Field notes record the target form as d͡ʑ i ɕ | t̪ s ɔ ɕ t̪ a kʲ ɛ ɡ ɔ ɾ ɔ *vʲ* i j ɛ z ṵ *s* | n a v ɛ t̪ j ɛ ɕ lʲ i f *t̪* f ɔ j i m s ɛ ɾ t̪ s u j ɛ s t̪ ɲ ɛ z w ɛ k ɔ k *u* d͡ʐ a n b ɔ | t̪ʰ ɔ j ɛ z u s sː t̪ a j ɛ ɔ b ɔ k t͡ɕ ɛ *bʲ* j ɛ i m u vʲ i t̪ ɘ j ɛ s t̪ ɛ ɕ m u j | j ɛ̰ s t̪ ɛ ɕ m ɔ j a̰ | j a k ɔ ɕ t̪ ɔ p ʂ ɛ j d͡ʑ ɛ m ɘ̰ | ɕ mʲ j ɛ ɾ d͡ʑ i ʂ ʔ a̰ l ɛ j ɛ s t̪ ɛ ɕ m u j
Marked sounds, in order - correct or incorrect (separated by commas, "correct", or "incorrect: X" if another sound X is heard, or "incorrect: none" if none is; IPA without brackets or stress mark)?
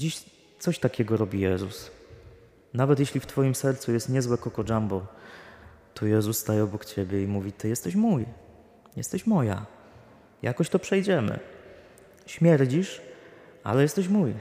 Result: incorrect: bʲ, correct, correct, incorrect: ɔ, correct